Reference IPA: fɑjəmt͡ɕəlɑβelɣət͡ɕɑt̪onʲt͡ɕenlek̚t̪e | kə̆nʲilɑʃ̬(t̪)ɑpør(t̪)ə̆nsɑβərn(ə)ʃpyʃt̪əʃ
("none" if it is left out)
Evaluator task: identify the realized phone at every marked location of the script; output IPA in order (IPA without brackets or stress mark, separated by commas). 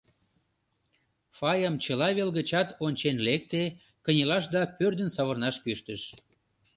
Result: d̪, d̪, ɑ